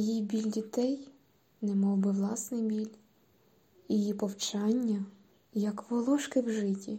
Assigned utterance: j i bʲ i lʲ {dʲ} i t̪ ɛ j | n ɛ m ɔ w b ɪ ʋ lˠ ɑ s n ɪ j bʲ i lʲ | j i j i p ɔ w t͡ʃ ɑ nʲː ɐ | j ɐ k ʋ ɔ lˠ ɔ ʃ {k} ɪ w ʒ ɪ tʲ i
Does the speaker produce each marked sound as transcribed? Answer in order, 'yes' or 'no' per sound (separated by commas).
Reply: yes, yes